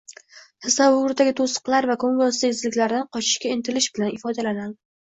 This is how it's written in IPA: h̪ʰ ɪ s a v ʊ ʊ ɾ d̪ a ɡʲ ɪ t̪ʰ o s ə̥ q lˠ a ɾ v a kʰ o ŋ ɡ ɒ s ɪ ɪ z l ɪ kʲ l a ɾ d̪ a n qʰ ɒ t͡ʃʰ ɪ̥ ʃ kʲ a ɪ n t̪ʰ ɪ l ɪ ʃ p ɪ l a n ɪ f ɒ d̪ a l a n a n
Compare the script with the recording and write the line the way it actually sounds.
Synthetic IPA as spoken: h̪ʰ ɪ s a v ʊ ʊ ɾ d̪ a ɡʲ ɪ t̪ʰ o s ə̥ q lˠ a ɾ v a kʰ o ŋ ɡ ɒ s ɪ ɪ z l ɪ kʲ l a ɾ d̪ a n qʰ ɒ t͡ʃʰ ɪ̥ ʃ kʲ a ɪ n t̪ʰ ɪ l ɪ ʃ b ɪ l a n ɪ f ɒ d̪ a l a n a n